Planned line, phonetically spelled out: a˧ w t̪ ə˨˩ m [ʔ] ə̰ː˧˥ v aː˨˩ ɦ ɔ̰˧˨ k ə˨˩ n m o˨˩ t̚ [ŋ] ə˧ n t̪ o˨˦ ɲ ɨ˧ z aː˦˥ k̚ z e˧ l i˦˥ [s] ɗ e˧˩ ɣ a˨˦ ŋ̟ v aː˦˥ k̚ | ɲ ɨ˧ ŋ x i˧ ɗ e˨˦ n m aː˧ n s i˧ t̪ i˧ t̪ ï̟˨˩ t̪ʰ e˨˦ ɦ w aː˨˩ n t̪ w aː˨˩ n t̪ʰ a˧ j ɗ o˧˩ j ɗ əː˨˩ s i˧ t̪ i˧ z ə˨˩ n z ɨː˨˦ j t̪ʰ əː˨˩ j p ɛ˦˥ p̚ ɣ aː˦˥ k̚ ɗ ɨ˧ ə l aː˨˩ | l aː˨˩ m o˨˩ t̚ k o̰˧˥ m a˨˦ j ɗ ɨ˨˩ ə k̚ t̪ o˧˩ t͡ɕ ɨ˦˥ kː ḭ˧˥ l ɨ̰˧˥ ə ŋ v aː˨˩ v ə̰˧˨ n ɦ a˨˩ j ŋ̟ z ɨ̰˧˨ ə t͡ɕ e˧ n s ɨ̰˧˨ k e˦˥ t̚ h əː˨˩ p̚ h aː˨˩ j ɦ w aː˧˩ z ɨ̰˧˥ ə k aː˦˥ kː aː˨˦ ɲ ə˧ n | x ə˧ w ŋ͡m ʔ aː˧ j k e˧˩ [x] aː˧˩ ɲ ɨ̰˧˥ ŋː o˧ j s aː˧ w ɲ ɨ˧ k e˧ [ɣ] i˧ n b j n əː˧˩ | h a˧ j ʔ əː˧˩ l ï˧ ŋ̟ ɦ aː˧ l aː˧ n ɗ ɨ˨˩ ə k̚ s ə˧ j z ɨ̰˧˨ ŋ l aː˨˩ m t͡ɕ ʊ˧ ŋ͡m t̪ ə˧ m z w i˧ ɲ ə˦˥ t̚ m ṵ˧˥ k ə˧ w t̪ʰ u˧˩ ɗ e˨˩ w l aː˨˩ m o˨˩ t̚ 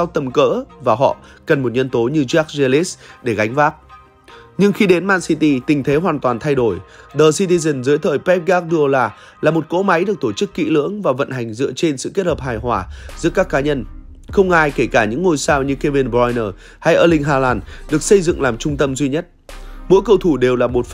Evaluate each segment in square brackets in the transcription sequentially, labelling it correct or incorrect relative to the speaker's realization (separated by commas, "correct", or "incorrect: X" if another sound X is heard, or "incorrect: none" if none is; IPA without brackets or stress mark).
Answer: incorrect: k, incorrect: ɲ, correct, incorrect: k, incorrect: v